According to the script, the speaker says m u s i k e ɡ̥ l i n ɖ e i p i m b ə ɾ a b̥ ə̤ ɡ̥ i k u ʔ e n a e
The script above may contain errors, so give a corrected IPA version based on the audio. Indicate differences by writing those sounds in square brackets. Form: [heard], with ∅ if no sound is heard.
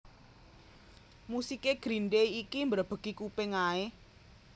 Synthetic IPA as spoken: m u s i k e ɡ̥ [ɾ] i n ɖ e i [k] i m b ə ɾ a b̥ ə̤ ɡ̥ i k u [p] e [ŋ] a e